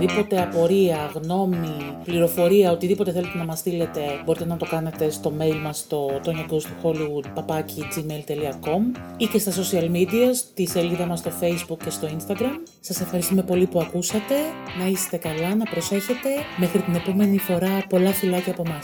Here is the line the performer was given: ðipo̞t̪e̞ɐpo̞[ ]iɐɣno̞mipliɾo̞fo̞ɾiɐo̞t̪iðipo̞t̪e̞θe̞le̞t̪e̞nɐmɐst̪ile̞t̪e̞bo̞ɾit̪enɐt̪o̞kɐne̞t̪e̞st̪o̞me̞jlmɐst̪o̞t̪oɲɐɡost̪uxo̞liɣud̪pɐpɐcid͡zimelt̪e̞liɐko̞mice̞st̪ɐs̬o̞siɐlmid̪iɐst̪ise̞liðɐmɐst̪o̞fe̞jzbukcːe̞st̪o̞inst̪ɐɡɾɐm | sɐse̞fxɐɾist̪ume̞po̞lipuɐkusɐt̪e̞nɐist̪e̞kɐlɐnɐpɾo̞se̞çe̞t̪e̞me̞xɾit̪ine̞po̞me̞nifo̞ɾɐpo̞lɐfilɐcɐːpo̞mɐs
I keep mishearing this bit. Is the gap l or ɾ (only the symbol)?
ɾ